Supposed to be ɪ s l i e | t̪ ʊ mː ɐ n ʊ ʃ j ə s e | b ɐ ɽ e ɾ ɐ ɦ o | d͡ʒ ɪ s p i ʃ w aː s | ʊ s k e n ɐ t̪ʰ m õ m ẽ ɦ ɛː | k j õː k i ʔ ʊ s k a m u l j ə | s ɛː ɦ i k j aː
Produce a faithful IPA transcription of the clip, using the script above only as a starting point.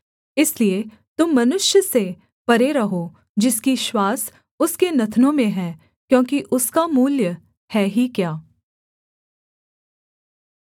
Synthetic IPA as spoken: ɪ s l i e | t̪ ʊ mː ɐ n ʊ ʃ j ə s e | p ɐ ɾ e ɾ ɐ ɦ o | d͡ʒ ɪ s k i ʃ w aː s | ʊ s k e n ɐ t̪ʰ n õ m ẽ ɦ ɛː | k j õː k i ʔ ʊ s k a m uː l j ə | h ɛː ɦ i k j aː

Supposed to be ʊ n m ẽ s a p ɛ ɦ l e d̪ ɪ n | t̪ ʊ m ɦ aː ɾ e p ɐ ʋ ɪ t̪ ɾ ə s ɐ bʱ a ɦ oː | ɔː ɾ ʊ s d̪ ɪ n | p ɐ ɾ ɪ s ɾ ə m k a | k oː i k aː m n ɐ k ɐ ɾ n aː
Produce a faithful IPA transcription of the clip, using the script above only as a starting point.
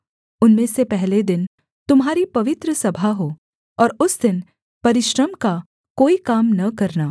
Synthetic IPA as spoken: ʊ n m ẽ s e p ɛ ɦ l e d̪ ɪ n | t̪ ʊ m ɦ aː ɾ i p ɐ ʋ ɪ t̪ ɾ ə s ɐ bʱ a ɦ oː | ɔː ɾ ʊ s d̪ ɪ n | p ɐ ɾ ɪ ʃ ɾ ə m k a | k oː i k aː m n ɐ k ɐ ɾ n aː

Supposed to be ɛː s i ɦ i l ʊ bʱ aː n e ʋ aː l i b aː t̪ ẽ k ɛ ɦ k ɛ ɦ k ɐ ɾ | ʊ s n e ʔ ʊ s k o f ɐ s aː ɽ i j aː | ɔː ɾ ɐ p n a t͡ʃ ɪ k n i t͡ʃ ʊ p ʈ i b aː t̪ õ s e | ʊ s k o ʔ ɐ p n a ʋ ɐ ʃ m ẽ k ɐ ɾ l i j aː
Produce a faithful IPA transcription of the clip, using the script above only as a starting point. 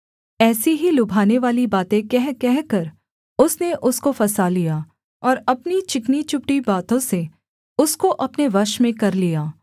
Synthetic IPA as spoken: ɛː s i ɦ i l ʊ bʱ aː n e ʋ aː l i b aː t̪ ẽ k ɛ ɦ k ɛ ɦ k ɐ ɾ | ʊ s n e ʔ ʊ s k o f ɐ s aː l i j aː | ɔː ɾ ɐ p n i t͡ʃ ɪ k n i t͡ʃ ʊ p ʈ i b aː t̪ õ s e | ʊ s k o ʔ ɐ p n e ʋ ɐ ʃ m ẽ k ɐ ɾ l i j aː

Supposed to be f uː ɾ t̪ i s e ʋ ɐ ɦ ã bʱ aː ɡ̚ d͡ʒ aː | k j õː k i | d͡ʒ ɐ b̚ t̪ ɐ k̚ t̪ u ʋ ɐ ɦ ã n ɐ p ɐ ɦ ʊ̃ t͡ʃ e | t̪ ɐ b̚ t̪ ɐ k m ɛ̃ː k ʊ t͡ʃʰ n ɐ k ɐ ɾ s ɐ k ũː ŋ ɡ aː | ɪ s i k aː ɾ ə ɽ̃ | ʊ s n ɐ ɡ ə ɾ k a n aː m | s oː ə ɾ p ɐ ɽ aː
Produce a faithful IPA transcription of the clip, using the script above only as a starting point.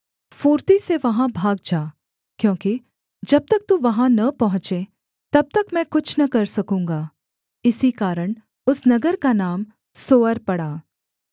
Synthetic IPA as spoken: f uː ɾ t̪ i s e ʋ ɐ ɦ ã bʱ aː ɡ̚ d͡ʒ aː | k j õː k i | d͡ʒ ɐ b̚ t̪ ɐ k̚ t̪ u ʋ ɐ ɦ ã n ɐ p ɐ ɦ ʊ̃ t͡ʃ e | t̪ ɐ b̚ t̪ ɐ k m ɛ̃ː k ʊ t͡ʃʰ n ɐ k ɐ ɾ s ɐ k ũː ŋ ɡ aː | ɪ s i k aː ɾ ə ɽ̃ | ʊ s n ɐ ɡ ə ɾ k a n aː m | s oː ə ɾ p ɐ ɽ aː

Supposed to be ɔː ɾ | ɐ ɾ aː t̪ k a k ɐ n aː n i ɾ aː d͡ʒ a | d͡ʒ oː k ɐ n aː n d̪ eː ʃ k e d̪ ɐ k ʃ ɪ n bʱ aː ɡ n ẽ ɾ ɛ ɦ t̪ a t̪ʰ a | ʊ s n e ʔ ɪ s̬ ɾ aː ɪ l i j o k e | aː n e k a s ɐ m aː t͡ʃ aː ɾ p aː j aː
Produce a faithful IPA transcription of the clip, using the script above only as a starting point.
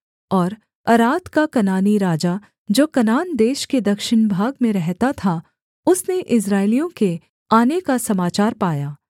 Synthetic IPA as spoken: ɔː ɾ | ɐ ɾ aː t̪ k a k ɐ n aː n i ɾ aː d͡ʒ a | d͡ʒ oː k ɐ n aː n d̪ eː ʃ k e d̪ ɐ k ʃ ɪ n bʱ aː ɡ m ẽ ɾ ɛ ɦ t̪ a t̪ʰ a | ʊ s n e ʔ ɪ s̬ ɾ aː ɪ l i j õ k e | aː n e k a s ɐ m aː t͡ʃ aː ɾ p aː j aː

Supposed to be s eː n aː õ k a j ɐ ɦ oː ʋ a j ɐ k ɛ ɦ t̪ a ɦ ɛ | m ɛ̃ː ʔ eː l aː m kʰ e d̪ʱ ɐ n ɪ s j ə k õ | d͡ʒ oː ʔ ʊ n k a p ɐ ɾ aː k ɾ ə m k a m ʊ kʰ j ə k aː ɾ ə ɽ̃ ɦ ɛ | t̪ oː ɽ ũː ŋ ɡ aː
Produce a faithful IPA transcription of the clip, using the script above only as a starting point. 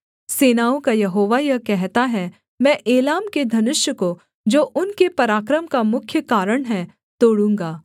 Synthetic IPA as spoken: s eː n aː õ k a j ɐ ɦ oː ʋ a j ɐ k ɛ ɦ t̪ a ɦ ɛ | m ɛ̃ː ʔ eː l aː m k e d̪ʱ ɐ n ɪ ʃ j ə k o | d͡ʒ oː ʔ ʊ n k e p ɐ ɾ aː k ɾ ə m k a m ʊ kʰ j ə k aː ɾ ə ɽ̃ ɦ ɛ | t̪ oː ɽ ũː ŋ ɡ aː

